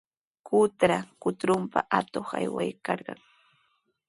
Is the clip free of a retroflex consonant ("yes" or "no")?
yes